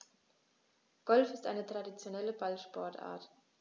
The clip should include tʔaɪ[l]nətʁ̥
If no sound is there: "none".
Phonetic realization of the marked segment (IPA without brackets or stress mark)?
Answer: none